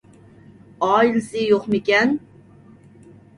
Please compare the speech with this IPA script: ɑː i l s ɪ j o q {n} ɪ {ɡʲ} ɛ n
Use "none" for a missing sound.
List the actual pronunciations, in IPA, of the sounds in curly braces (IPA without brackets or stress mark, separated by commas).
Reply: m, kʲ